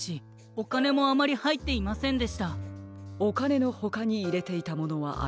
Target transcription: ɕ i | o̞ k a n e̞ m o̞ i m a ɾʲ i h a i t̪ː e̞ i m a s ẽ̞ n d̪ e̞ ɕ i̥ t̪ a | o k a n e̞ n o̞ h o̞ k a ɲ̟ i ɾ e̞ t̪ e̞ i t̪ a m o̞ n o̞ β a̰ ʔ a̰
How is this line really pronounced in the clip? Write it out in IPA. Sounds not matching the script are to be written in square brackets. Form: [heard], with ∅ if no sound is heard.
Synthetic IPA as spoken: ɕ i | o̞ k a n e̞ m o̞ [a] m a ɾʲ i h a i t̪ː e̞ i m a s ẽ̞ n d̪ e̞ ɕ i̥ t̪ a | o k a n e̞ n o̞ h o̞ k a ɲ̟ [iː] ɾ e̞ t̪ e̞ i t̪ a m o̞ n o̞ β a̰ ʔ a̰